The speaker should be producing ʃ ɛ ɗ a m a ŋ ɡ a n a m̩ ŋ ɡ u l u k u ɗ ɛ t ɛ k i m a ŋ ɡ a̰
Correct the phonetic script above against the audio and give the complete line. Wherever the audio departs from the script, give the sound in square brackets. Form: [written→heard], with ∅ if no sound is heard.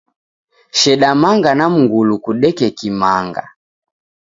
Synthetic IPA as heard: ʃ ɛ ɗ a m a ŋ ɡ a n a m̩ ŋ ɡ u l u k u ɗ ɛ [t→k] ɛ k i m a ŋ ɡ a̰